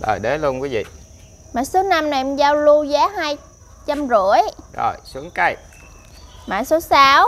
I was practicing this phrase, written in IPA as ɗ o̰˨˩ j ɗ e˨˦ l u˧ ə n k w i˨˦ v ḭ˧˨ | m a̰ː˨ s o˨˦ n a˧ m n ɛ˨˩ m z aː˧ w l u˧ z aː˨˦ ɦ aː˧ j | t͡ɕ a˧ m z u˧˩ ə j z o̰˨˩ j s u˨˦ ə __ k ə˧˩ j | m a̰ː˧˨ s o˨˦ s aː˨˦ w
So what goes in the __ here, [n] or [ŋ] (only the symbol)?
ŋ